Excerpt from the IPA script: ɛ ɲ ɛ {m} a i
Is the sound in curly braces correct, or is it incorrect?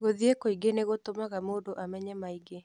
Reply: correct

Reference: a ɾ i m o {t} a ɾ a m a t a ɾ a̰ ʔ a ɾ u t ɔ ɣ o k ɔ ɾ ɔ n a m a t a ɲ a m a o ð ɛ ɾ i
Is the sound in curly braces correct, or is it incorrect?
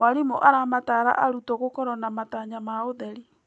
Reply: incorrect: ʔ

